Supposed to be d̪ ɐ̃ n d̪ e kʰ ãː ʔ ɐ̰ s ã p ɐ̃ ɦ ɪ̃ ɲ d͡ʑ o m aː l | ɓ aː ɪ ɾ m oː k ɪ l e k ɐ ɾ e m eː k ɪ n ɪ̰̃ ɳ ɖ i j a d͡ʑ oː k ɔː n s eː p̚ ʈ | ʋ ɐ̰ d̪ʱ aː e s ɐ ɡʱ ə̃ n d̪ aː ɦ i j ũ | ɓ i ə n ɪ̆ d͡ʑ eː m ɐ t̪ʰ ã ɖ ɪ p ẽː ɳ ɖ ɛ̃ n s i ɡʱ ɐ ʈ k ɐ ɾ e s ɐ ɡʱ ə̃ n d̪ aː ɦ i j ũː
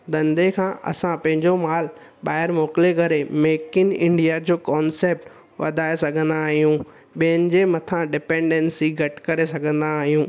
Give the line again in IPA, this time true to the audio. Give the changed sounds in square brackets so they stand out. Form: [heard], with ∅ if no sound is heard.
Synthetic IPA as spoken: d̪ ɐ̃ n d̪ e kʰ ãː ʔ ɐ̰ s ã p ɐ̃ ɦ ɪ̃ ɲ d͡ʑ o m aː l | ɓ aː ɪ ɾ m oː k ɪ l e k ɐ ɾ e m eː k ɪ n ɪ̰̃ ɳ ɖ i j a d͡ʑ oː k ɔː n s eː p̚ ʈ | ʋ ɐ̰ d̪ʱ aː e s ɐ ɡʱ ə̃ n d̪ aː ɦ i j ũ | ɓ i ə n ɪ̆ d͡ʑ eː m ɐ t̪ʰ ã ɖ ɪ p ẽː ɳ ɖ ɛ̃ n s i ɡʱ ɐ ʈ k ɐ ɾ e s ɐ ɡʱ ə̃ n d̪ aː ɦ i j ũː